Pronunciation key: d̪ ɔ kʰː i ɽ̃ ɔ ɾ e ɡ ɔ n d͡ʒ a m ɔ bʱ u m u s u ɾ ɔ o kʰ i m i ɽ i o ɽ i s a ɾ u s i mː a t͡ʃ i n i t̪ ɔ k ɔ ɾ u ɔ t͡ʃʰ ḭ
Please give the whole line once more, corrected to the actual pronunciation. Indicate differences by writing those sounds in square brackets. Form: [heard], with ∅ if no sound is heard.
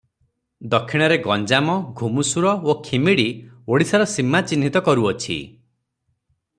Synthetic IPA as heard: d̪ ɔ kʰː i ɽ̃ ɔ ɾ e ɡ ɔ n d͡ʒ a m ɔ [ɡʱ] u m u s u ɾ ɔ o kʰ i m i ɽ i o ɽ i s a ɾ [ɔ] s i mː a t͡ʃ i n i t̪ ɔ k ɔ ɾ u ɔ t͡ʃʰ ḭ